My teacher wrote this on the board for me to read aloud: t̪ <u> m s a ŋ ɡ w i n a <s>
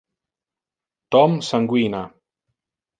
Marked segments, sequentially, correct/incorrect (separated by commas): incorrect, incorrect